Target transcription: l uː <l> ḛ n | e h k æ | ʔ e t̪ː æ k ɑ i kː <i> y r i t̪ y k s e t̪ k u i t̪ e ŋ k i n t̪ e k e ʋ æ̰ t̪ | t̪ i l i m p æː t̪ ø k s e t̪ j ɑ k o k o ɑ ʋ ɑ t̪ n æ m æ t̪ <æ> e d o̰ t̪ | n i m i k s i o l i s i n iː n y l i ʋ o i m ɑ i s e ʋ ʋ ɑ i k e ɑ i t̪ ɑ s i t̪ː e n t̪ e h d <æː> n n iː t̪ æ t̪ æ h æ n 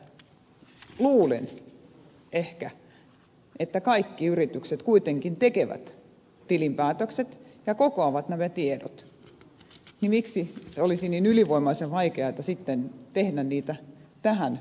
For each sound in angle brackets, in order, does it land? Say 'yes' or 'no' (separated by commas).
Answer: yes, yes, no, no